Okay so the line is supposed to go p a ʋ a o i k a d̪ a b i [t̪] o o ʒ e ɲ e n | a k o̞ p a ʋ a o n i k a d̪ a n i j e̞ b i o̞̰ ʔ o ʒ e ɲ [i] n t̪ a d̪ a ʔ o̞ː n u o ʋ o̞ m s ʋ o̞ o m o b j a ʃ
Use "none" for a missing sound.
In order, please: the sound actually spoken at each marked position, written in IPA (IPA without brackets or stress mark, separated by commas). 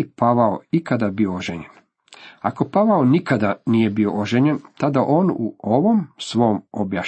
none, e